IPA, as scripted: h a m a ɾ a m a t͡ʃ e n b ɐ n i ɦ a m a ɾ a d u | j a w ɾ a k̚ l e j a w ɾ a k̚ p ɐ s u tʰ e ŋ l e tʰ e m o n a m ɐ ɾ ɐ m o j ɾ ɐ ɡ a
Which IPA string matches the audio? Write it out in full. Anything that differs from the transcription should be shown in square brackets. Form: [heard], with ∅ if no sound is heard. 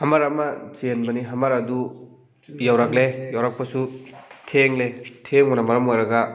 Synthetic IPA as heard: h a m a ɾ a m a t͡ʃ e n b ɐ n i ɦ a m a ɾ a d u | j a w ɾ a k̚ l e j a w ɾ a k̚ p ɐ s u tʰ e ŋ l e tʰ e [ŋ] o n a m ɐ ɾ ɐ m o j ɾ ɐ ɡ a